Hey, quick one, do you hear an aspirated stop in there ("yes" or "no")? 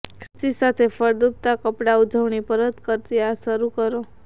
yes